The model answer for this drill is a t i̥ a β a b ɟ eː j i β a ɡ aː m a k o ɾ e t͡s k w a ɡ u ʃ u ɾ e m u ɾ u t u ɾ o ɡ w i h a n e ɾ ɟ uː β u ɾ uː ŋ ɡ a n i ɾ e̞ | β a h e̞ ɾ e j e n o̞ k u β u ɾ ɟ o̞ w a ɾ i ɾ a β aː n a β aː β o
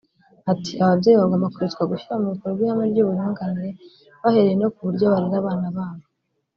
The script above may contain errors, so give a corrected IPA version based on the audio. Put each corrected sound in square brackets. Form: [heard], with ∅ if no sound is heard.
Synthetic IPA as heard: a t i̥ a β a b ɟ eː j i β a ɡ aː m a k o ɾ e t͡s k w a ɡ u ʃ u ɾ [a] m u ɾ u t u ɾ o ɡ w i h a [m] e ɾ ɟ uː β u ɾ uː ŋ ɡ a n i ɾ e̞ | β a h e̞ ɾ e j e n o̞ k u β u ɾ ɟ o̞ [β] a ɾ i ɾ a β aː n a β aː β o